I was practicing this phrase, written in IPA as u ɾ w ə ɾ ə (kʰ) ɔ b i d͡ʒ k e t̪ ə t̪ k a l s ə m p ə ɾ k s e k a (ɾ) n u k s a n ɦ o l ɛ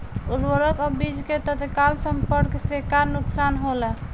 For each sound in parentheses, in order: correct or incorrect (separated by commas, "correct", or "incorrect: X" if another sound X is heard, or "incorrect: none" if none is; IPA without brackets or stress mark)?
incorrect: k, correct